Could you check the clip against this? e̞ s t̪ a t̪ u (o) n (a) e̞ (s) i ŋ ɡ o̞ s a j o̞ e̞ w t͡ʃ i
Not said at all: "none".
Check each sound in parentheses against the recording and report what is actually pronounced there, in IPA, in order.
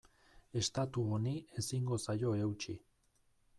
o, i, s

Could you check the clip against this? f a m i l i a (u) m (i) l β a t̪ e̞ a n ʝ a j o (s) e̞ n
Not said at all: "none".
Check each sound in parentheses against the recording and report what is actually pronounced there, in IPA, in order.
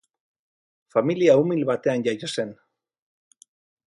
u, i, s

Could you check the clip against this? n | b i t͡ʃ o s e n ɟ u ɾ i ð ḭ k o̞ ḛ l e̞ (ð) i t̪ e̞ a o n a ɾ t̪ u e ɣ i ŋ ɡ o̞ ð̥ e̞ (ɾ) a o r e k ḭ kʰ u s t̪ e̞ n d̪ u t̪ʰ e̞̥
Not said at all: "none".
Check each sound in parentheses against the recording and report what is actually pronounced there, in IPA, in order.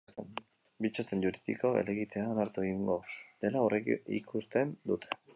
ɣ, l

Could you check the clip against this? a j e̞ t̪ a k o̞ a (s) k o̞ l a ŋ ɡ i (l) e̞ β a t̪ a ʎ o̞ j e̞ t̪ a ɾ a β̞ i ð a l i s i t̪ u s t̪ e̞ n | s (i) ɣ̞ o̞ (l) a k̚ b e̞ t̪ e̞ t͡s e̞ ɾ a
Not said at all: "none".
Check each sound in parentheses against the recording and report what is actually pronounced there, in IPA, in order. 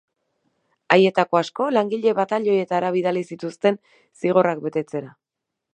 s, ʎ, i, r

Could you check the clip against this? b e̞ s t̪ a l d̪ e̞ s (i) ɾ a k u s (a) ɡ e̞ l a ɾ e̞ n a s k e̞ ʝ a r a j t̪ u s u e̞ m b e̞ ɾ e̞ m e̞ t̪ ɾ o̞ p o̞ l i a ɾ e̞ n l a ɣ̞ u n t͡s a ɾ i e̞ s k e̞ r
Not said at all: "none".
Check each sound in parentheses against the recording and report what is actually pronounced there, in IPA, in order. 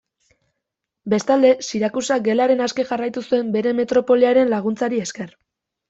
i, a

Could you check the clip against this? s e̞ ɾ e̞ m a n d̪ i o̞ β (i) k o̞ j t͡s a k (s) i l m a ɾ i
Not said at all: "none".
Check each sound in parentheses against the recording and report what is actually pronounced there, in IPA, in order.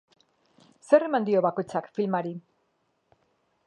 a, f

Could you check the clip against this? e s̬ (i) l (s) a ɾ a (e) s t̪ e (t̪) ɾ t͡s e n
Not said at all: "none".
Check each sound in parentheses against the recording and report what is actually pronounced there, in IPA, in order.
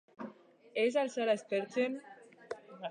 a, s, e, none

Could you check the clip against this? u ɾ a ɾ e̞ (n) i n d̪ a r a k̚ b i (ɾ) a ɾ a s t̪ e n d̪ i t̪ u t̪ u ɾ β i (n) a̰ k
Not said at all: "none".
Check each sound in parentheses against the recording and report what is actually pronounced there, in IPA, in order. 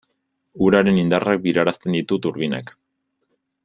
n, ɾ, n

